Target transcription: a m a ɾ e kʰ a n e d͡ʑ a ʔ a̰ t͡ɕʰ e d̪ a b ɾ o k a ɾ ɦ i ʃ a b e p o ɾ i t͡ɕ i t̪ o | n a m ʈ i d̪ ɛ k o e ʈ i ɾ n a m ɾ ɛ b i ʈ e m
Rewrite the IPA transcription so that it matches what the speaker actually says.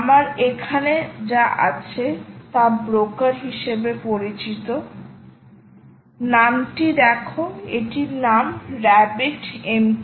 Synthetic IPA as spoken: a m a ɾ e kʰ a n e d͡ʑ a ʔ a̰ t͡ɕʰ e t̪ a b ɾ o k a ɾ ɦ i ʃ e b e p o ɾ i t͡ɕ i t̪ o | n a m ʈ i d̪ ɛ kʰ o e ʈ i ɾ n a m ɾ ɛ b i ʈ e m